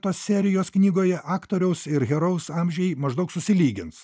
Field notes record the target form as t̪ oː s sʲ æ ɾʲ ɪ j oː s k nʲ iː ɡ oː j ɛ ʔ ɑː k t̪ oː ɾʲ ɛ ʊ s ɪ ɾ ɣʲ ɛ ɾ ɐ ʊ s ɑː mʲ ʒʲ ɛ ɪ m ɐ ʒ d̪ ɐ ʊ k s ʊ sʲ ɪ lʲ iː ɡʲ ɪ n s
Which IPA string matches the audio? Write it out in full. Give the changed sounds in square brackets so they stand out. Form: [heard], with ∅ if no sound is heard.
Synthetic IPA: t̪ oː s sʲ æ ɾʲ ɪ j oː s k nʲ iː ɡ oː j ɛ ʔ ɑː k t̪ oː ɾʲ ɛ ʊ s ɪ ɾ ɣʲ ɛ ɾ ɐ ʊ s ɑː mʲ ʒʲ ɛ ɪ m ɐ ʒ d̪ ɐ ʊ k s ʊ sʲ ɪ lʲ iː ɡʲ ɪ n s